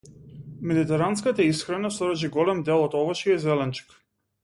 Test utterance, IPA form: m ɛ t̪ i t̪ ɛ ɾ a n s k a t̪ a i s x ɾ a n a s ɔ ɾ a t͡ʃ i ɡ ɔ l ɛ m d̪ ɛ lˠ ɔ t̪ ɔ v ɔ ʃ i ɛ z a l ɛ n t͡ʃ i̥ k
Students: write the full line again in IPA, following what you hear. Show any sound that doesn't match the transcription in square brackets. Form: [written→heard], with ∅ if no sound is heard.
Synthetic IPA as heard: m ɛ [t̪→d̪] i t̪ ɛ ɾ a n s k a t̪ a i s x ɾ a n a s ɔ ɾ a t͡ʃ i ɡ ɔ l ɛ m d̪ ɛ lˠ ɔ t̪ ɔ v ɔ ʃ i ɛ z [a→ɛ] l ɛ n t͡ʃ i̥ k